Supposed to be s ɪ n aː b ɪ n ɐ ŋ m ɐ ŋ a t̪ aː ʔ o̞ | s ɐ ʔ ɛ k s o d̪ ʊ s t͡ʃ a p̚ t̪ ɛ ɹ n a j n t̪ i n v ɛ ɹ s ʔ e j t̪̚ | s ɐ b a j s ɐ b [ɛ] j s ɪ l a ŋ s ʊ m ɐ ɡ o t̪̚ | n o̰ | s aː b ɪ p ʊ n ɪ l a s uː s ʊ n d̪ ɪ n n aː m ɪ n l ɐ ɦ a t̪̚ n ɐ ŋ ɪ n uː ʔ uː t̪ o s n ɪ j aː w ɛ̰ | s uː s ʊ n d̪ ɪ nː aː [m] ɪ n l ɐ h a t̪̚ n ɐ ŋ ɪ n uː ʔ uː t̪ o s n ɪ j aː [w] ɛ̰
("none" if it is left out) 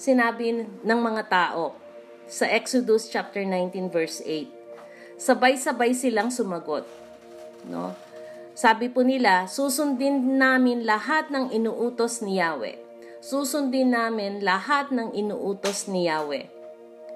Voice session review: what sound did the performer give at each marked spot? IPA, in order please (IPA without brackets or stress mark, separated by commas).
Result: a, m, w